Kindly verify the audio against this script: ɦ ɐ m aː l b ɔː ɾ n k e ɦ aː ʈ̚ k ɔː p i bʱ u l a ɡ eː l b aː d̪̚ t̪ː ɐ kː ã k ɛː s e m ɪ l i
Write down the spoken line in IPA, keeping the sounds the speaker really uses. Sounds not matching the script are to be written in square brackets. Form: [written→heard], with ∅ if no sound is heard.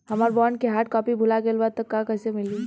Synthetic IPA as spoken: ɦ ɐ m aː [l→ɾ] b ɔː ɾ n k e ɦ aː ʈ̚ k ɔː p i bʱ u l a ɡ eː l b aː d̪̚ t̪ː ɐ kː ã k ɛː s e m ɪ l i

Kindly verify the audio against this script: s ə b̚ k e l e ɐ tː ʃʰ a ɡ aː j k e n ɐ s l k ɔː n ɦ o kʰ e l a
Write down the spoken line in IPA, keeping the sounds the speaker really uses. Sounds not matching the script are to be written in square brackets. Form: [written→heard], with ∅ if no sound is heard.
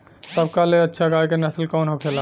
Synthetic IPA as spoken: s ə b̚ k [e→a] l e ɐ tː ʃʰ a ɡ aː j k e n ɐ s l k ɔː n ɦ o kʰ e l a

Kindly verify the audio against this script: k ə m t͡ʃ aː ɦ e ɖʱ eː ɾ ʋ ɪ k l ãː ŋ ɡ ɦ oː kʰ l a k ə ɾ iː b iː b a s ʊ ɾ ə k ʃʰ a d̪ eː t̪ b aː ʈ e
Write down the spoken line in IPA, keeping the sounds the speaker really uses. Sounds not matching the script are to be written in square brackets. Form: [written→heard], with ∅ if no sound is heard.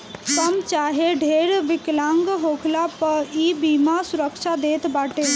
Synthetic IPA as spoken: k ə m t͡ʃ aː ɦ e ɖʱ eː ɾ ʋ ɪ k l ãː ŋ ɡ ɦ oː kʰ l a [k→p] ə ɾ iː b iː [b→m] a s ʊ ɾ ə k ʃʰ a d̪ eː t̪ b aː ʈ e

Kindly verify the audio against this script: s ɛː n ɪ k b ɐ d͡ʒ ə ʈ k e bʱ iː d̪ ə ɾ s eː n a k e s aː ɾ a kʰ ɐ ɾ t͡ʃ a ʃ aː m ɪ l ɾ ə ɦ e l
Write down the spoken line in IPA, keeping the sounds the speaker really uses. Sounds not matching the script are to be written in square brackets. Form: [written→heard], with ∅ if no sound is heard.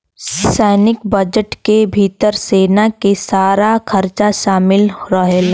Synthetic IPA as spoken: s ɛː n ɪ k b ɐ d͡ʒ ə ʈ k e bʱ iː [d̪→t̪] ə ɾ s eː n a k e s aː ɾ a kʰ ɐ ɾ t͡ʃ a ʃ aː m ɪ l ɾ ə ɦ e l

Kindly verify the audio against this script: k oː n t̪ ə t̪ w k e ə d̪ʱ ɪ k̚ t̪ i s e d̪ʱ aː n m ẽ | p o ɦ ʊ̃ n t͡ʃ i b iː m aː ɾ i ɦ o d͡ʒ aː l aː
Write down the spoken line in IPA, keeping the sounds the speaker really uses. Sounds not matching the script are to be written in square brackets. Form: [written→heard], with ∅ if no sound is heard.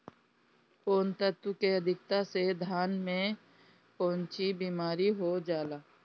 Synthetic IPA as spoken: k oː n t̪ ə t̪ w k e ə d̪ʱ ɪ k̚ t̪ [i→a] s e d̪ʱ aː n m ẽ | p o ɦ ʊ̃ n t͡ʃ i b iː m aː ɾ i ɦ o d͡ʒ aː l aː

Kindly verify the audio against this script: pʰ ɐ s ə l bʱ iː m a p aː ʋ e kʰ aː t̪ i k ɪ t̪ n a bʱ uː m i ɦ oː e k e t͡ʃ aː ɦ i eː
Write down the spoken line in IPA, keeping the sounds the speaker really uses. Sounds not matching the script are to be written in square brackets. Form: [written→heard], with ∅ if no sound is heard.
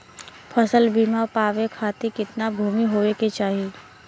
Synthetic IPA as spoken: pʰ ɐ s ə l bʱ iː m a p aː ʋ e kʰ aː t̪ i k ɪ t̪ n a bʱ uː m i ɦ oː e k e t͡ʃ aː ɦ i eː

